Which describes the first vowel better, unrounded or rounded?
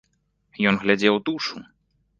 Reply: rounded